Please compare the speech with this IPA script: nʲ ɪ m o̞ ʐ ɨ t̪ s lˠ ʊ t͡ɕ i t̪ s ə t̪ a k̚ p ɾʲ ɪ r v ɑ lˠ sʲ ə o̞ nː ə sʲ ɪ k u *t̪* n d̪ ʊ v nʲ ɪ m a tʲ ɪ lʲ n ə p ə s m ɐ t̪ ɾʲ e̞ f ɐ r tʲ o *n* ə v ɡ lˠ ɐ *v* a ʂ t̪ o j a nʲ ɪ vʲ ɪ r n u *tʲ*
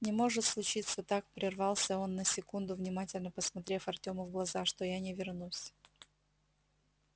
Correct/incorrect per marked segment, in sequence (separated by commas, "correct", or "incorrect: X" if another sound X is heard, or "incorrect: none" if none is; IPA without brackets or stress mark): incorrect: none, incorrect: m, incorrect: z, incorrect: sʲ